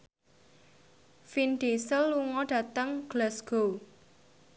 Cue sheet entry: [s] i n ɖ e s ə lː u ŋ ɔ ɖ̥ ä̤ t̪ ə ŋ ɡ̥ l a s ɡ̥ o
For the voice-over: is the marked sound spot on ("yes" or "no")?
no